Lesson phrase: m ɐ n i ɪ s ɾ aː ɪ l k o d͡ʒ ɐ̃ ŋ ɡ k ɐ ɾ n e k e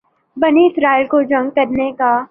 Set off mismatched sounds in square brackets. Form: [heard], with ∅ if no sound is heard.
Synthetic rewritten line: [b] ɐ n i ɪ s ɾ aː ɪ l k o d͡ʒ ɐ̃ ŋ ɡ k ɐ ɾ n e k [a]